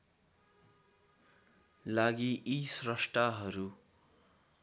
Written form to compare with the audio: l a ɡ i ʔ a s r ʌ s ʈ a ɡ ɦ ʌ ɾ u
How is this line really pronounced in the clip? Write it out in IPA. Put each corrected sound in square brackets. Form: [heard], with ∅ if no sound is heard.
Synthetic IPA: l a ɡ i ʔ [i] s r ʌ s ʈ a [∅] ɦ ʌ ɾ u